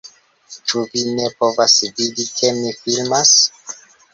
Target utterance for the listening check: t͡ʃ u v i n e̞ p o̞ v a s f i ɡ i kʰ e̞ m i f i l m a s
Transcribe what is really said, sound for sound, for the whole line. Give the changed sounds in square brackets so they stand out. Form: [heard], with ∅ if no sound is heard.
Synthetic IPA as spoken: t͡ʃ u v i n e̞ p o̞ v a s [v] i [d] i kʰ e̞ m i f i l m a s